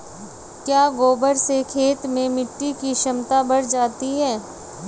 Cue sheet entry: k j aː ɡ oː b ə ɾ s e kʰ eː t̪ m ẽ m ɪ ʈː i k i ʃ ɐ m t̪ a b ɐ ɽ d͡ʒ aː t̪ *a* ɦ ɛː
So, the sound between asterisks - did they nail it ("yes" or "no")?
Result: no